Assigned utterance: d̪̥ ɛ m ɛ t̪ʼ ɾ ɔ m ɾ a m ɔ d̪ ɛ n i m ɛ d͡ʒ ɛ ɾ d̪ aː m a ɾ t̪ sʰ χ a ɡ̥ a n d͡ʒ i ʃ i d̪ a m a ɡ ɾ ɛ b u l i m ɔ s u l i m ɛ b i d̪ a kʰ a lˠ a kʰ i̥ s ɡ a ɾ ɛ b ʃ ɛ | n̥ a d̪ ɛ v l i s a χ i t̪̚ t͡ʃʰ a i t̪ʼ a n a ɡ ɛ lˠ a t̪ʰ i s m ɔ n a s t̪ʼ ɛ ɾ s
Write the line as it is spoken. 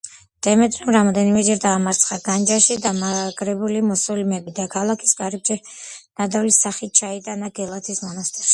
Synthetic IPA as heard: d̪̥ ɛ m ɛ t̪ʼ ɾ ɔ m ɾ a m ɔ d̪ ɛ n i m ɛ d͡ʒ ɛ ɾ d̪ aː m a ɾ t̪ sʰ χ a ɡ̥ a n d͡ʒ a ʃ i d̪ a m a ɡ ɾ ɛ b u l i m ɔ s ɔ l i m ɛ b i d̪ a kʰ a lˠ a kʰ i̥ s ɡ a ɾ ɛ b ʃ ɛ | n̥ a d̪ a v l i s a χ i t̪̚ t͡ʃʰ a i t̪ʼ a n a ɡ ɛ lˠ a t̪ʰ i s m ɔ n a s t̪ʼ ɛ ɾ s